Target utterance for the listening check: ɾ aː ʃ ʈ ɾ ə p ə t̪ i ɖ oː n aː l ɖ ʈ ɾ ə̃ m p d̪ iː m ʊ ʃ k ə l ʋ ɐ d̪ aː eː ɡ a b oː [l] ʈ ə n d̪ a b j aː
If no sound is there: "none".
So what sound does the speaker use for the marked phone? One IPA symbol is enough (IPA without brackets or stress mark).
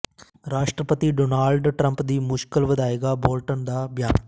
l